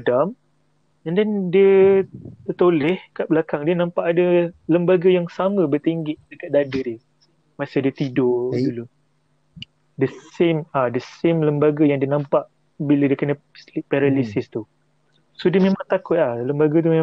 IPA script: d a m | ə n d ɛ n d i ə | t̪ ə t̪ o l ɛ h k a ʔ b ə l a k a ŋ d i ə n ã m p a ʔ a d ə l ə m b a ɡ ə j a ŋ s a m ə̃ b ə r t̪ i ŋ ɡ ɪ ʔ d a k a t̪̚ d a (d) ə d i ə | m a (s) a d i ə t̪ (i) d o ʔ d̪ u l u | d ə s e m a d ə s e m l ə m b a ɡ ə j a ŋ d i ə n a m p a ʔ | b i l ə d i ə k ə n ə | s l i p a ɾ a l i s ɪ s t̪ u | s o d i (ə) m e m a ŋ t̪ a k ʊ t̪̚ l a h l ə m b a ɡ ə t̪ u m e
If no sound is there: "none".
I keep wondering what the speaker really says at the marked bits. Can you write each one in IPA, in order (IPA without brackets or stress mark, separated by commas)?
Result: d, s, i, ə